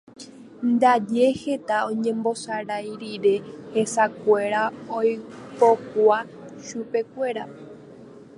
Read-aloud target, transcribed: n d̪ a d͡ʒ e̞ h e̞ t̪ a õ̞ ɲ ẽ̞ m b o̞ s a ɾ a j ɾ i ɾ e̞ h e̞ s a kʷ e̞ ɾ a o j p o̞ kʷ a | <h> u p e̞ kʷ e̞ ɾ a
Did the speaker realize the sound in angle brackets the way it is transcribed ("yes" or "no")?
no